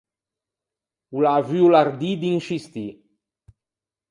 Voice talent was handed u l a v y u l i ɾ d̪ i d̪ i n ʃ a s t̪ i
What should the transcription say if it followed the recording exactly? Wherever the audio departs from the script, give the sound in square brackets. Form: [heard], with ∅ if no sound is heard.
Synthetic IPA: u l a v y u l [a] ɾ d̪ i d̪ i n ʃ [i] s t̪ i